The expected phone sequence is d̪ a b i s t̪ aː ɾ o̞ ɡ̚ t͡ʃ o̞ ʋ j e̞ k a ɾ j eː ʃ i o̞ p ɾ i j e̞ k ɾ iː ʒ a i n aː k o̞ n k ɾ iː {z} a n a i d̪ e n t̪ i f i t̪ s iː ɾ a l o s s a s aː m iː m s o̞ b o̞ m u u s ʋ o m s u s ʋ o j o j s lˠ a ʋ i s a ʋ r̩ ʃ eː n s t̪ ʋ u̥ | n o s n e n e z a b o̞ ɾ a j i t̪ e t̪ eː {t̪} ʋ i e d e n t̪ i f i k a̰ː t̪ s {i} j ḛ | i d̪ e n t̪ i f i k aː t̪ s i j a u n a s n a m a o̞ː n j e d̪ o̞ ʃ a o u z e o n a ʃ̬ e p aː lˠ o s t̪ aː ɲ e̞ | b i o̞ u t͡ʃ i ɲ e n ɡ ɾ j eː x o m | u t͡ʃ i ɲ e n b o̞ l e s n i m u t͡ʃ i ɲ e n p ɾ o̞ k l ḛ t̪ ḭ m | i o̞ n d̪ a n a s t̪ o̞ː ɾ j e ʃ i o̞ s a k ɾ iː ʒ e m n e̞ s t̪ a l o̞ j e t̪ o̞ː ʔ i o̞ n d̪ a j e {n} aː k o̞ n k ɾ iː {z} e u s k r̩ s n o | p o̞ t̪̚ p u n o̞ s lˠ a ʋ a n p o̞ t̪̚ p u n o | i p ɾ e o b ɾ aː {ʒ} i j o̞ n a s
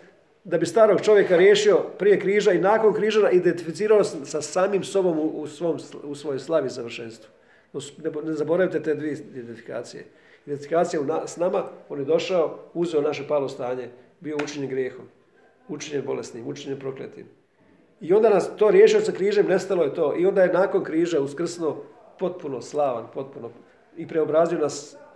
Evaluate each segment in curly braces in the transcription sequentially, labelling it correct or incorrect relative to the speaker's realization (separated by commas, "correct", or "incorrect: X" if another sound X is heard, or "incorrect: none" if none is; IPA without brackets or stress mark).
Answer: incorrect: ʒ, incorrect: d̪, correct, correct, incorrect: ʒ, incorrect: z